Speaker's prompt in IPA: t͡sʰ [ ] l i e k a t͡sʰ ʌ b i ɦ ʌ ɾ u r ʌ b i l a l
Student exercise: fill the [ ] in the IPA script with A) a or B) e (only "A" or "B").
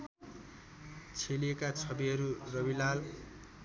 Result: B